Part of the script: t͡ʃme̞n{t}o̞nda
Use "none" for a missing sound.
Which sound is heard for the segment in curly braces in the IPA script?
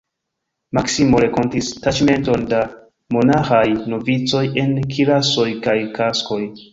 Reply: t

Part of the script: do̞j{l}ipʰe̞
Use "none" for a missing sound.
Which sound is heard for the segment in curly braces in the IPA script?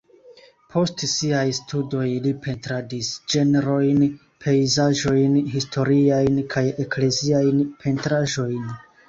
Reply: l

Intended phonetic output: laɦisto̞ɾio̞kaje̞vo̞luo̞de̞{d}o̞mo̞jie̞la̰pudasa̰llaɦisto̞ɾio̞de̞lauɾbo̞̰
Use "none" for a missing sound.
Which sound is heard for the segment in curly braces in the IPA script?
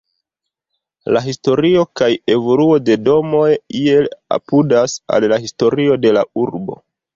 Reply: d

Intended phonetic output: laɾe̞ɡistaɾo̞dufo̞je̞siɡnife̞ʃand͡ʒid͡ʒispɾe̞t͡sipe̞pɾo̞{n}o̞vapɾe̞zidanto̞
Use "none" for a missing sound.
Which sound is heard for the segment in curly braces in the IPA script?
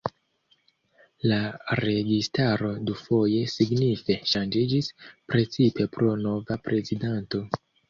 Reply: n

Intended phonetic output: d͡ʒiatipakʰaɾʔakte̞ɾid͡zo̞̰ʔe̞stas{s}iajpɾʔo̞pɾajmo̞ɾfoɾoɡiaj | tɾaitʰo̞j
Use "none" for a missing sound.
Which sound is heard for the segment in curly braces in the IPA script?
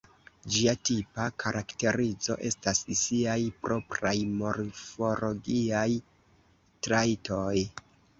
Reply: s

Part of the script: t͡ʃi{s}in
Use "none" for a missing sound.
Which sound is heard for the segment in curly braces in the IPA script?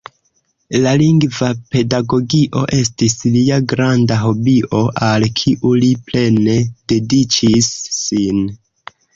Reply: sː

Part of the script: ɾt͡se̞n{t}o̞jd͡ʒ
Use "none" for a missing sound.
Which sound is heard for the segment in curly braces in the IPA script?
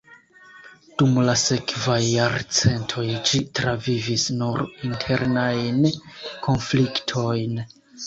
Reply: tʰ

